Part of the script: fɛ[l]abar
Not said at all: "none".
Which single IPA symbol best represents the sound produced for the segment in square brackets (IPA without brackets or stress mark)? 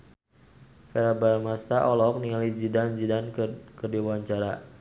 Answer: ɾ